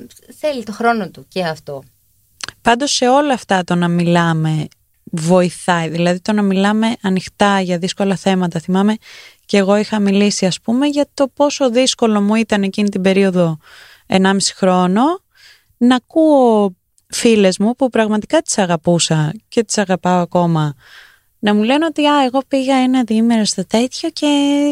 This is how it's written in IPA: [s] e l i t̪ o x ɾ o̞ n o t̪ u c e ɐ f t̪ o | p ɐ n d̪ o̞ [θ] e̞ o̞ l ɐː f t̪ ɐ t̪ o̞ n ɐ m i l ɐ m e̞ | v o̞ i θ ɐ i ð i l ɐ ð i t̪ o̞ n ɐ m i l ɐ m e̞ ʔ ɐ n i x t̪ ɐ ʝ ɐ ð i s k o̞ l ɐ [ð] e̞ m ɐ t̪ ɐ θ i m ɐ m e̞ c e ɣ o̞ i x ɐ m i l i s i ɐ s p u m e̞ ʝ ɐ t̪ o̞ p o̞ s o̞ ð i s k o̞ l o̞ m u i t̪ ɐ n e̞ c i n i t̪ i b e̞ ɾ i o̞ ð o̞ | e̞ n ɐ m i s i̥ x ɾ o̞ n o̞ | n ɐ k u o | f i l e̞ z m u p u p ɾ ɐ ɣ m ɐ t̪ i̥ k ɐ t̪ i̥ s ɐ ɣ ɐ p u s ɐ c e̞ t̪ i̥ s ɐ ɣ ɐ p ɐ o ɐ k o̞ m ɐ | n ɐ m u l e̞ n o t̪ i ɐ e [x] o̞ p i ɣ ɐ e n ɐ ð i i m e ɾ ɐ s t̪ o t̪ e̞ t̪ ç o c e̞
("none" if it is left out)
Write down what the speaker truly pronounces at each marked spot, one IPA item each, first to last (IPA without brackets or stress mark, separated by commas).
θ, s, θ, ɣ